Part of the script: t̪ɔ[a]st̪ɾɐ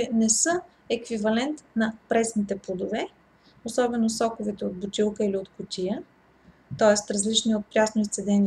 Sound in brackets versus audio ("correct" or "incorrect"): incorrect